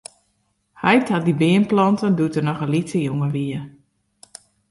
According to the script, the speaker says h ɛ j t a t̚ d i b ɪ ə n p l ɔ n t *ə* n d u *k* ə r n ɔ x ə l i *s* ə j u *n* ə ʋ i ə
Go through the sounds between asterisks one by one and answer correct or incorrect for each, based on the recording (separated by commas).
correct, incorrect, incorrect, incorrect